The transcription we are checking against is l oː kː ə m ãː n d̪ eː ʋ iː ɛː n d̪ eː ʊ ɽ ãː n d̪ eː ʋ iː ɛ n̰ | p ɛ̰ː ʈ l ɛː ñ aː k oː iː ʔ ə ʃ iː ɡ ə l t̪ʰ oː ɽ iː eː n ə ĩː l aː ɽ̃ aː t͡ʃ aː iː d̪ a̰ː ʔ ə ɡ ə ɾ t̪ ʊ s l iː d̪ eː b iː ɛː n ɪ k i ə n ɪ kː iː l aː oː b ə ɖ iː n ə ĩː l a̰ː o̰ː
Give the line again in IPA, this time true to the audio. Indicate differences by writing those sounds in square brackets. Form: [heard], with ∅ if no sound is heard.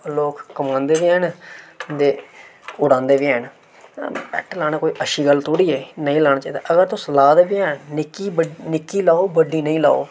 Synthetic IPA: l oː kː ə m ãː n d̪ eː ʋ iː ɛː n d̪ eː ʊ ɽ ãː n d̪ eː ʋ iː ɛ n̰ | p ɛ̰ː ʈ l [aː] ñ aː k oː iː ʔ ə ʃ iː ɡ ə l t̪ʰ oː ɽ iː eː n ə ĩː l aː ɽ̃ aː t͡ʃ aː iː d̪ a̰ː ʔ ə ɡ ə ɾ t̪ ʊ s l [aː] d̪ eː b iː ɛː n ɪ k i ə n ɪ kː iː l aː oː b ə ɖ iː n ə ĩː l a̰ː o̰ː